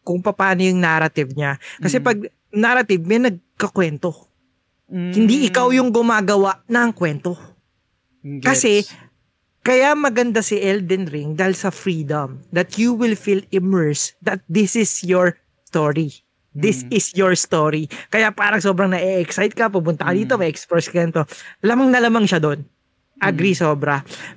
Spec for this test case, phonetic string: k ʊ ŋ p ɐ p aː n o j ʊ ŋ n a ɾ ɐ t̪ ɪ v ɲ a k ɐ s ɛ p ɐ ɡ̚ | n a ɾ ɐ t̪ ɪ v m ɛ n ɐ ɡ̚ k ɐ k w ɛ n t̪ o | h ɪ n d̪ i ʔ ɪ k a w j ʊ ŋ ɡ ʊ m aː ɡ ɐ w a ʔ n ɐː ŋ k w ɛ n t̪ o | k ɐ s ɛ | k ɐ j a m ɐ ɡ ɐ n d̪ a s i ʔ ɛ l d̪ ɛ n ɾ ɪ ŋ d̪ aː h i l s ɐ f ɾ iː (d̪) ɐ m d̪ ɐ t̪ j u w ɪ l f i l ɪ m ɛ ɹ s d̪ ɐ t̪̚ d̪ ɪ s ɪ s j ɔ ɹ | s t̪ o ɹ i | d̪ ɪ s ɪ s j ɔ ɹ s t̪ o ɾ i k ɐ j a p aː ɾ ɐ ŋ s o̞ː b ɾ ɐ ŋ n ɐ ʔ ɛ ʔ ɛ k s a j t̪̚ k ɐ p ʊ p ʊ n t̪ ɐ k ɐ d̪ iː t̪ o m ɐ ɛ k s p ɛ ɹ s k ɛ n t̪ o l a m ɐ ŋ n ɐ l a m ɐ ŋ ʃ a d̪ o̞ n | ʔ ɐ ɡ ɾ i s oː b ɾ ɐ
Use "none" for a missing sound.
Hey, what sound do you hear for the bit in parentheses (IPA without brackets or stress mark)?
d̪